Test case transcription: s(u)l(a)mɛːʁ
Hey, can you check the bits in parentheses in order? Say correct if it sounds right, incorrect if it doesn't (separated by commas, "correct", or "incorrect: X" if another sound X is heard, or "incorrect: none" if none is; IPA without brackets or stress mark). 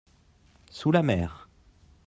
correct, correct